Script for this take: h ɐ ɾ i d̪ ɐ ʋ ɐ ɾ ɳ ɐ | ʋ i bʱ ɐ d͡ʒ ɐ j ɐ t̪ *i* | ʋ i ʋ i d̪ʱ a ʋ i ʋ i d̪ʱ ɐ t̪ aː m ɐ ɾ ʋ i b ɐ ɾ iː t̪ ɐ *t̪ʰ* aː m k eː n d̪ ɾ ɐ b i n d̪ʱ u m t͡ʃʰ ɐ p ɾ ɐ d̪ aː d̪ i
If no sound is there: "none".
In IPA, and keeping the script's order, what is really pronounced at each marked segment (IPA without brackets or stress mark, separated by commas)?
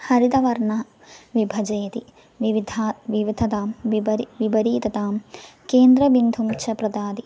i, t̪